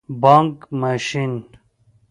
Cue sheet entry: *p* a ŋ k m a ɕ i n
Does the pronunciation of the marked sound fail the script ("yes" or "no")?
yes